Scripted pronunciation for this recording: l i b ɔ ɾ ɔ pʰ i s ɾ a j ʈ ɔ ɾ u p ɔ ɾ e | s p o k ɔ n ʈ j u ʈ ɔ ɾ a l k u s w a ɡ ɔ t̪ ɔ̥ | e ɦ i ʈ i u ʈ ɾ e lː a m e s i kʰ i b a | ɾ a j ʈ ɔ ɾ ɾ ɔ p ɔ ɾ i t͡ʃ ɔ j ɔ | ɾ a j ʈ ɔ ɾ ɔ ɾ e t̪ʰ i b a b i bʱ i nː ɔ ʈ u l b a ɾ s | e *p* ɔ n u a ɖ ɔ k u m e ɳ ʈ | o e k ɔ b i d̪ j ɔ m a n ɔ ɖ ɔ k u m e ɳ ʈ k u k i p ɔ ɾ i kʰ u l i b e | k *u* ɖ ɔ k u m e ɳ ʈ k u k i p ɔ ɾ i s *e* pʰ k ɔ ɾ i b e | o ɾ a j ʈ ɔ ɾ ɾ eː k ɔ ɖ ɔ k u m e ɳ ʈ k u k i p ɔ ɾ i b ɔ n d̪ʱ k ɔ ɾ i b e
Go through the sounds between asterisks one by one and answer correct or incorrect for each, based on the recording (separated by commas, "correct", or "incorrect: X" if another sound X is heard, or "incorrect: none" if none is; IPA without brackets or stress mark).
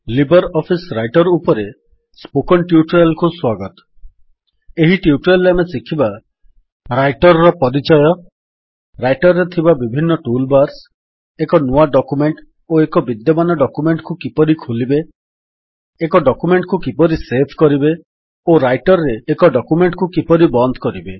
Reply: incorrect: k, incorrect: ɔ, correct